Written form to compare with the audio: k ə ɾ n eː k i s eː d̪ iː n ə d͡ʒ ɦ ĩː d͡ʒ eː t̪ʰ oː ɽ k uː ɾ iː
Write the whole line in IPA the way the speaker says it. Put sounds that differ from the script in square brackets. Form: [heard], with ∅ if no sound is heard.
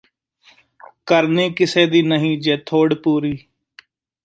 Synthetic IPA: k ə ɾ n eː k [ɪ] s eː d̪ iː n ə [∅] ɦ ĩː d͡ʒ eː t̪ʰ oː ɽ [p] uː ɾ iː

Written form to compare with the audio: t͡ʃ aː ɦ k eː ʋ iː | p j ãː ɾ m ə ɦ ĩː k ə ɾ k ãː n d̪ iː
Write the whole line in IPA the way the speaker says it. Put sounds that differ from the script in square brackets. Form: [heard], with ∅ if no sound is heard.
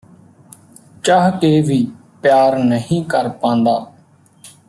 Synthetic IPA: t͡ʃ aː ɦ k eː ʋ iː | p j [aː] ɾ [n] ə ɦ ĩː k ə ɾ [p] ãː n d̪ [aː]

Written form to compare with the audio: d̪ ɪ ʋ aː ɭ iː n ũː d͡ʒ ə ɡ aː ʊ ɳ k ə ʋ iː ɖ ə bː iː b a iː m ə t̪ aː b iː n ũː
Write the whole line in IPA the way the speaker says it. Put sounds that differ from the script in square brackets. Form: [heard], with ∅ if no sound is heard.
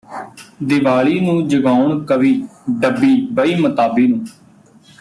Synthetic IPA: d̪ ɪ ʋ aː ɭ iː n ũː d͡ʒ ə ɡ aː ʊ ɳ k ə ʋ iː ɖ ə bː iː b [ə] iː m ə t̪ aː b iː n ũː

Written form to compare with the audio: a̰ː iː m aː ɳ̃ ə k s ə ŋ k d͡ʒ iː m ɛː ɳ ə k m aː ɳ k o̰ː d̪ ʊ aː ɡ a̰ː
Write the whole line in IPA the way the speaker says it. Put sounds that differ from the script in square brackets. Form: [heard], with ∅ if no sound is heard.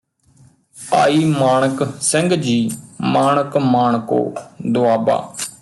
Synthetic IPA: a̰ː iː m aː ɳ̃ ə k s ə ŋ [ɡ] d͡ʒ iː m [aː] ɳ ə k m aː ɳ k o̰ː d̪ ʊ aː [b] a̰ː

